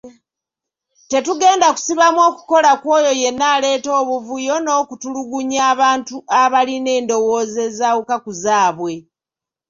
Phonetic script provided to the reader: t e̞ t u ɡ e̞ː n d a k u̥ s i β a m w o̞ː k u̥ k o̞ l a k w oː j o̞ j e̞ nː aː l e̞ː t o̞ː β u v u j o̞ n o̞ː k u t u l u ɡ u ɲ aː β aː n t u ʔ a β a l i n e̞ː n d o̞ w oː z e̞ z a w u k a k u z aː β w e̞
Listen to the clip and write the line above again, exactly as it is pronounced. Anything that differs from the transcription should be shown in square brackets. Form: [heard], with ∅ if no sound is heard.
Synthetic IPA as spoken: t e̞ t u ɡ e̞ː n d a k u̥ s i β a m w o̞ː k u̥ k o̞ l a k w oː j o̞ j e̞ nː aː l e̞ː t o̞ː β u v u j o̞ n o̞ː k u t u l u ɡ u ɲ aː β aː n t u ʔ a β a l i n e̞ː n d o̞ w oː z e̞ z a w u k a k u z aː β w e̞